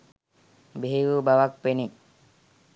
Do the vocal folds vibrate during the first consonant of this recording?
yes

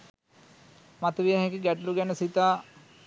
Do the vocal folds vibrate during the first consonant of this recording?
yes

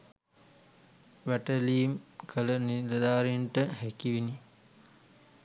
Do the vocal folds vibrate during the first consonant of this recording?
yes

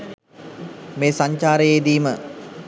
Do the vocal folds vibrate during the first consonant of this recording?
yes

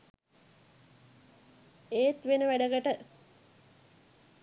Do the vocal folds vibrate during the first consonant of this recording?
no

